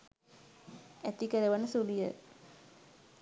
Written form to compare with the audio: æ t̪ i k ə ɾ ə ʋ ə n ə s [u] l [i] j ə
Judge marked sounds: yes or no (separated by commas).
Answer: yes, yes